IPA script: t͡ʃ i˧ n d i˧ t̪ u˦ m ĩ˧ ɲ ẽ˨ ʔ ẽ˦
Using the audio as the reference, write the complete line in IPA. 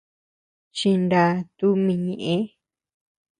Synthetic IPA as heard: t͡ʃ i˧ n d a˧ t̪ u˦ m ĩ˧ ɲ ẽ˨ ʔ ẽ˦